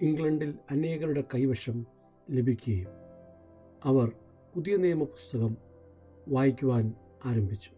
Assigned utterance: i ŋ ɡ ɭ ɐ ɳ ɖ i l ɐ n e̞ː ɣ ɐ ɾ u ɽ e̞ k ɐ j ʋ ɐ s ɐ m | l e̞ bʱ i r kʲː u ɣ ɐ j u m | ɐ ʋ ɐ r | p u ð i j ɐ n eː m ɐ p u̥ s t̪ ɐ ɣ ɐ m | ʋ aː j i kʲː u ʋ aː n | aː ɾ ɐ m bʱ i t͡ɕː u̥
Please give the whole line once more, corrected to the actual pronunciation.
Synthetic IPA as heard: i ŋ ɡ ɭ ɐ ɳ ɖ i l ɐ n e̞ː ɣ ɐ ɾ u ɽ e̞ k ɐ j ʋ ɐ ʂ ɐ m | l e̞ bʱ i kʲː u ɣ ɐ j u m | ɐ ʋ ɐ r | p u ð i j ɐ n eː m ɐ p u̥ s t̪ ɐ ɣ ɐ m | ʋ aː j i kʲː u ʋ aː n | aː ɾ ɐ m bʱ i t͡ɕː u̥